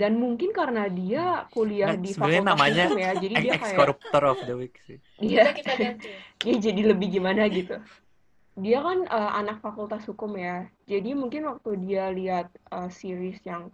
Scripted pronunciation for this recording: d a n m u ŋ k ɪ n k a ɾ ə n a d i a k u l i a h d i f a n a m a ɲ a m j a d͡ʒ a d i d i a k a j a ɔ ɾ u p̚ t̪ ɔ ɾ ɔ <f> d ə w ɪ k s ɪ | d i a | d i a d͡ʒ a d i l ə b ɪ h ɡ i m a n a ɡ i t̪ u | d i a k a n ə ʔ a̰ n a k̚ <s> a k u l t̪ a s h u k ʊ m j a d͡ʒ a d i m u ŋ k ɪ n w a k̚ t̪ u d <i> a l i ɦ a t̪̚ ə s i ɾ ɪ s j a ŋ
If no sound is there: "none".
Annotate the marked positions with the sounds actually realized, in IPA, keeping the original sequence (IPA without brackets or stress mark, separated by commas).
f, f, i